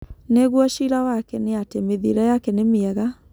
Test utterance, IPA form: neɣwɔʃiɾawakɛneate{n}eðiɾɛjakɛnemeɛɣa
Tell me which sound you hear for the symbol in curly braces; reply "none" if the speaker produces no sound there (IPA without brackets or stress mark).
m